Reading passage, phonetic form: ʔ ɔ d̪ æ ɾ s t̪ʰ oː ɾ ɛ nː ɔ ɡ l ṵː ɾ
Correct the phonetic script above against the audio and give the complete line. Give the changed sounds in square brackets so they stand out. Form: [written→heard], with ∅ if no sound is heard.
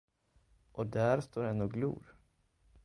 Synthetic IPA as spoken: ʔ ɔ d̪ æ ɾ s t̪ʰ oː ɾ ɛ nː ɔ ɡ l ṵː ɾ